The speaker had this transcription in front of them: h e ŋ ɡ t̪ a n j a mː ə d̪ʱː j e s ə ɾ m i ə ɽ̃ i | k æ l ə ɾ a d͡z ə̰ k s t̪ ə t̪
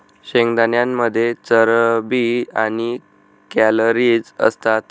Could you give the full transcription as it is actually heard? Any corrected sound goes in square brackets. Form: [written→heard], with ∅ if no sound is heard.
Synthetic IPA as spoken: [h→ɕ] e ŋ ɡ [t̪→d̪] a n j a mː ə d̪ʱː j e [s→t͡s] ə ɾ [m→b] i [ə→a] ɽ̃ i | k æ l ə ɾ [a→i] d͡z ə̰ [k→∅] s t̪ [ə→a] t̪